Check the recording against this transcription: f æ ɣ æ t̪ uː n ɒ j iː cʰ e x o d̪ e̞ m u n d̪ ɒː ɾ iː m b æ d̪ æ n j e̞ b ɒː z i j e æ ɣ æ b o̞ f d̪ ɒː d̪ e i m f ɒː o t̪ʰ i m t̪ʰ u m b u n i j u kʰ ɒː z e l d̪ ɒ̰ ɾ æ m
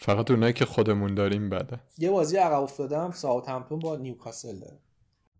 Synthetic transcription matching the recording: f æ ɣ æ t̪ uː n ɒ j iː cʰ e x o d̪ e̞ m u n d̪ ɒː ɾ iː m b æ d̪ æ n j e̞ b ɒː z i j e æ ɣ æ b o̞ f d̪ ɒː d̪ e æ m s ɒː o t̪ʰ æ m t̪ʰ u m b ɒ n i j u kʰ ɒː s e l d̪ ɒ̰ ɾ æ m